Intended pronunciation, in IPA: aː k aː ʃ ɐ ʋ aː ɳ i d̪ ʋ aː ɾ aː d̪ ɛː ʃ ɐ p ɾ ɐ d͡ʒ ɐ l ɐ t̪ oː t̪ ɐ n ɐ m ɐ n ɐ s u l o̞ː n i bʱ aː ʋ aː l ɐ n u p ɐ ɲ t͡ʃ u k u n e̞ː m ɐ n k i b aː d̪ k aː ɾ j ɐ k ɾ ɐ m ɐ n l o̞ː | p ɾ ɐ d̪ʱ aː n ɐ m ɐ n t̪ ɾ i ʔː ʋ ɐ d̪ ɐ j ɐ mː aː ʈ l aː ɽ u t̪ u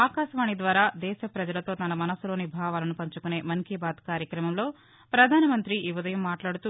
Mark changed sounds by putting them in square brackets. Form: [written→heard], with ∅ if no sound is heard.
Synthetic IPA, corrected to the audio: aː k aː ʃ ɐ ʋ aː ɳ i d̪ ʋ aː ɾ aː d̪ ɛː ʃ ɐ p ɾ ɐ d͡ʒ ɐ l ɐ t̪ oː t̪ ɐ n ɐ m ɐ n ɐ s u l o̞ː n i bʱ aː ʋ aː l ɐ n u p ɐ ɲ t͡ʃ u k u n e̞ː m ɐ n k i b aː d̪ k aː ɾ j ɐ k ɾ ɐ m ɐ [n→m] l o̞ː | p ɾ ɐ d̪ʱ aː n ɐ m ɐ n t̪ ɾ i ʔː ʋ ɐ d̪ ɐ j ɐ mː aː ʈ l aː ɽ u t̪ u